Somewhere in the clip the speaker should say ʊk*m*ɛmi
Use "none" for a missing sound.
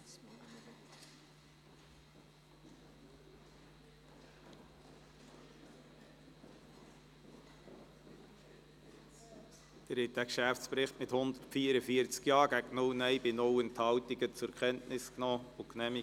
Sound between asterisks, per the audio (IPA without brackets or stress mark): n